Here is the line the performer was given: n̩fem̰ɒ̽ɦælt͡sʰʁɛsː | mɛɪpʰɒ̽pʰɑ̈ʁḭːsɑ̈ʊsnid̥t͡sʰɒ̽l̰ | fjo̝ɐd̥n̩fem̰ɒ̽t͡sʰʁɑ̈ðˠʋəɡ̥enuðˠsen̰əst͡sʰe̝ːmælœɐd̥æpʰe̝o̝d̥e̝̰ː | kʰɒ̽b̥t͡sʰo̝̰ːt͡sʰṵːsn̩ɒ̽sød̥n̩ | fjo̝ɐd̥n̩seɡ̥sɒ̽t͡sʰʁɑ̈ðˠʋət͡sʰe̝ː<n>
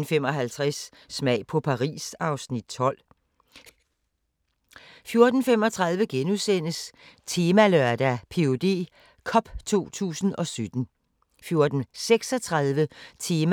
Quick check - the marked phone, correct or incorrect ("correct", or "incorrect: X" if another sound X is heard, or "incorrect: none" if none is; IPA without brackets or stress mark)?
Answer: incorrect: m